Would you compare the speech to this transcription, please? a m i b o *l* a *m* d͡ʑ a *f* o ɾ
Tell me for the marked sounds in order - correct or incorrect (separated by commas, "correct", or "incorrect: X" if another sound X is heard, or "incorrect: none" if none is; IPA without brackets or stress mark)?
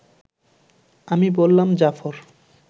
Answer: incorrect: lː, correct, correct